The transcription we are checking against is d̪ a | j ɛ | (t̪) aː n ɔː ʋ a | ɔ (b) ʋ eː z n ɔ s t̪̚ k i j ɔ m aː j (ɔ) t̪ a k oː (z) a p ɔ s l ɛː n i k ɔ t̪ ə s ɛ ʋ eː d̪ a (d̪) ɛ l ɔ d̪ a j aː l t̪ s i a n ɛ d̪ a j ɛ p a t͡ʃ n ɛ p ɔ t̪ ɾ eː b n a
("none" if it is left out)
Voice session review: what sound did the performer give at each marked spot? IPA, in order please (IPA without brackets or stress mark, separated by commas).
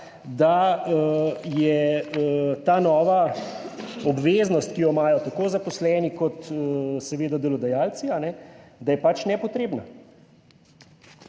t̪, b, ɔ, z, d̪